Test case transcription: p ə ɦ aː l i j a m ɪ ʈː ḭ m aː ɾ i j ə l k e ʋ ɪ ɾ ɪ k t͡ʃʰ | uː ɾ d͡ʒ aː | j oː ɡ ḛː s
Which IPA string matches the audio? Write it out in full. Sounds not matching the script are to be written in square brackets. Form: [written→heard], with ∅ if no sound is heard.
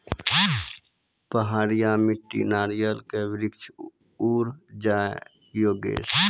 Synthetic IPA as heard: p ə ɦ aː [l→ɾ] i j a m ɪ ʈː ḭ [m→n] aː ɾ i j ə l k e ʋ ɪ ɾ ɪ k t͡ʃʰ | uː ɾ d͡ʒ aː | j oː ɡ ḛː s